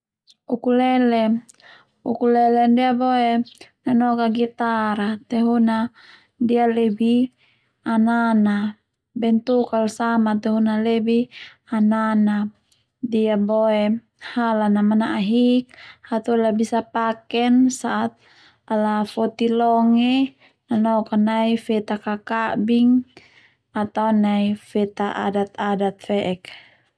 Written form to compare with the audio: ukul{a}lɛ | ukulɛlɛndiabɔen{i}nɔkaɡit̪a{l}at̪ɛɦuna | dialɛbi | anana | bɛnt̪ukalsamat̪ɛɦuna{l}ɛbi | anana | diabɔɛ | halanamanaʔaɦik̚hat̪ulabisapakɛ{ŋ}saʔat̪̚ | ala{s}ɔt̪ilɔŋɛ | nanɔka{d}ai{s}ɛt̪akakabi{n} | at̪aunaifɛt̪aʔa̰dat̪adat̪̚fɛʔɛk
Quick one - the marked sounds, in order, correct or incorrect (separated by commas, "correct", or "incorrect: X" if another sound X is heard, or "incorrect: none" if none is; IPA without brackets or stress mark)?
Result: incorrect: ɛ, incorrect: a, incorrect: ɾ, correct, incorrect: n, incorrect: f, incorrect: n, incorrect: f, incorrect: ŋ